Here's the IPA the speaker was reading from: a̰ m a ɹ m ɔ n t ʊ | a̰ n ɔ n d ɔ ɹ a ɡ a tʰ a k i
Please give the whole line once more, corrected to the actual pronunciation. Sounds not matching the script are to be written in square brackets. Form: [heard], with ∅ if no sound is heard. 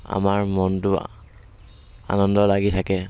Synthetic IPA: a̰ m a ɹ m ɔ n t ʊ | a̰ n ɔ n d ɔ [l] a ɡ [i] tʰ a k [ɛ]